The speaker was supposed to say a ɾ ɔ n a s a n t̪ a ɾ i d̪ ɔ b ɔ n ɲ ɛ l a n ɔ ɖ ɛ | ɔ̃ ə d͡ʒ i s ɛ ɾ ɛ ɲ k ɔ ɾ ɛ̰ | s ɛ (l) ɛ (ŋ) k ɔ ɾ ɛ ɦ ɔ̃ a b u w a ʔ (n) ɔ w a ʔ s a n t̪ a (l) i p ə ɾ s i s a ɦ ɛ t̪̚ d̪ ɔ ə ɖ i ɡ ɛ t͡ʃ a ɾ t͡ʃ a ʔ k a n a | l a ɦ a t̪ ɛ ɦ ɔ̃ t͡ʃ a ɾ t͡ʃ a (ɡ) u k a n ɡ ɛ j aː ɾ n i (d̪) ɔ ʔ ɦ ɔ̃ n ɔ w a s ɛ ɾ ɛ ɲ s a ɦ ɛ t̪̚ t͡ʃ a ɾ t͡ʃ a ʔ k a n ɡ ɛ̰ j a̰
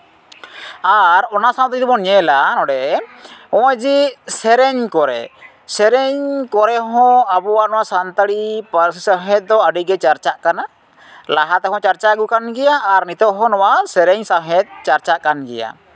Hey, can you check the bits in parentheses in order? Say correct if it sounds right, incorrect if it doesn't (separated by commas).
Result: incorrect, incorrect, correct, incorrect, correct, incorrect